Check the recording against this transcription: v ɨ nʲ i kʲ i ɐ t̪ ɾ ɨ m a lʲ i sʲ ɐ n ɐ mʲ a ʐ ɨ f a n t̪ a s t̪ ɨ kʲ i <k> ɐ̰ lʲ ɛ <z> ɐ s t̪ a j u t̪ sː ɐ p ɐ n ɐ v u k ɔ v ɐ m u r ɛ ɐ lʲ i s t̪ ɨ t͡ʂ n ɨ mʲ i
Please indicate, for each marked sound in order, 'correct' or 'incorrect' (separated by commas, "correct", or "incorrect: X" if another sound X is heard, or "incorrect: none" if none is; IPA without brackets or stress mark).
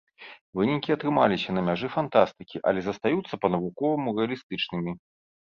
incorrect: ʔ, correct